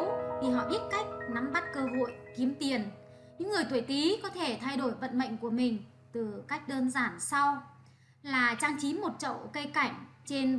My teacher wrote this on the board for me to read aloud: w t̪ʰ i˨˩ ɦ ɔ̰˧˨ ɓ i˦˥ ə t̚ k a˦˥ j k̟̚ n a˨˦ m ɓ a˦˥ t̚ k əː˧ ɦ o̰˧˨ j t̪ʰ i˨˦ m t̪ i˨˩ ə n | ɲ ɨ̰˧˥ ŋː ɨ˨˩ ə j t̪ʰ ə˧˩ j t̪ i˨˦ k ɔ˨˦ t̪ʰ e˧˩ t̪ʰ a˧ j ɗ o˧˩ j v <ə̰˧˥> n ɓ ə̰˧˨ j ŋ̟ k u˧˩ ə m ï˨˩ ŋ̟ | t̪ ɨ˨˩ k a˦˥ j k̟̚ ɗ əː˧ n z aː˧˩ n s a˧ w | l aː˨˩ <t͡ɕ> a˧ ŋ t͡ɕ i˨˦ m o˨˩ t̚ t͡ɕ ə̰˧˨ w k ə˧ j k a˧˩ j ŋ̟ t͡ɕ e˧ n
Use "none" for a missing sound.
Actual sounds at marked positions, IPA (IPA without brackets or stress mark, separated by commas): ə̰˧˨, t͡ɕ